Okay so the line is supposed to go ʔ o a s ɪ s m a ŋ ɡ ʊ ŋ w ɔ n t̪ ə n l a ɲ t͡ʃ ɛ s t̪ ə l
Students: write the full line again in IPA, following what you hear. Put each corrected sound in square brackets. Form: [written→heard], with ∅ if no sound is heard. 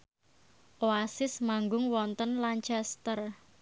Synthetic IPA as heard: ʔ o a s ɪ s m a ŋ ɡ ʊ ŋ w ɔ n t̪ ə n l a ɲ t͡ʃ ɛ s t̪ ə [l→r]